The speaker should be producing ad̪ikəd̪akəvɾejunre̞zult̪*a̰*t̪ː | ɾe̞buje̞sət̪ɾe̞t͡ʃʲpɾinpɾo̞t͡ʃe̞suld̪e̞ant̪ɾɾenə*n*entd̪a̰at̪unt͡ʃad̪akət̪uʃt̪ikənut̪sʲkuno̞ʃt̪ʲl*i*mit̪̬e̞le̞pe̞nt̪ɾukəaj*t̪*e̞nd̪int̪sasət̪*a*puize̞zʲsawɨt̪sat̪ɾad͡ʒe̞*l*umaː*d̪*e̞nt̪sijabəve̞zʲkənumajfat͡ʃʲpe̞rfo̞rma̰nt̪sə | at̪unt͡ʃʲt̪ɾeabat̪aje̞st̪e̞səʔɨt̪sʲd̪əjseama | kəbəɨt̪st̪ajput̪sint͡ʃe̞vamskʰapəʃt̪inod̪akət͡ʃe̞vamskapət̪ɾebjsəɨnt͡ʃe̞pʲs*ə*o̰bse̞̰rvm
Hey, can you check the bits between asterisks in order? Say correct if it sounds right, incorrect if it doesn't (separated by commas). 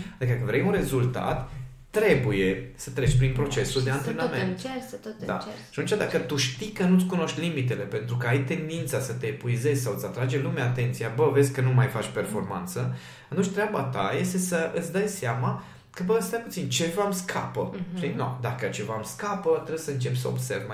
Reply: correct, incorrect, correct, correct, incorrect, correct, incorrect, correct